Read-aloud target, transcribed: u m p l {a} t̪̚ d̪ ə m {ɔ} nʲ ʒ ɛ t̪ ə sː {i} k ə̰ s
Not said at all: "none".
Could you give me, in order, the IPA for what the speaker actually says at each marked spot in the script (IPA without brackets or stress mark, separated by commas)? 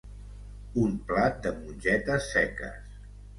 a, u, ɛ